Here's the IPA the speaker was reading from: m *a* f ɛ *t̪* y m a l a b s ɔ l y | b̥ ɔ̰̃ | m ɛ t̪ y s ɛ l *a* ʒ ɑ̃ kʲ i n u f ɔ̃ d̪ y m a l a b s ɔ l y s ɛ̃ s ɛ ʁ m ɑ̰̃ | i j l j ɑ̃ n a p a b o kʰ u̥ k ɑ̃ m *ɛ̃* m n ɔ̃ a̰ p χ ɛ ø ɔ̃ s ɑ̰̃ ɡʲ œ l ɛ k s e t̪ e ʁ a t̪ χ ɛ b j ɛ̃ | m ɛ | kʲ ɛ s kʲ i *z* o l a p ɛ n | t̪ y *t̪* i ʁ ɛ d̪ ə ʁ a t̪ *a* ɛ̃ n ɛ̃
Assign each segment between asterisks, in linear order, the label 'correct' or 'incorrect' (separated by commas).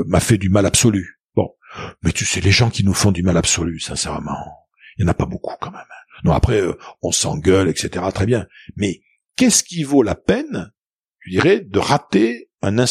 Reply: correct, incorrect, incorrect, incorrect, incorrect, incorrect, incorrect